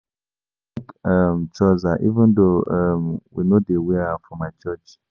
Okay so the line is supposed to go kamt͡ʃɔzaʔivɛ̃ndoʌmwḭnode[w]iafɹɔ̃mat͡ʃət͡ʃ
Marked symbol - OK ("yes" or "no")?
yes